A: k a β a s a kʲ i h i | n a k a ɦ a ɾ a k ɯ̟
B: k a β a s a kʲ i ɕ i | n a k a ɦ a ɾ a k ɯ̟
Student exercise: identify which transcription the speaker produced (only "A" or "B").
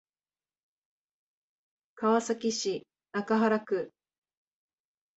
B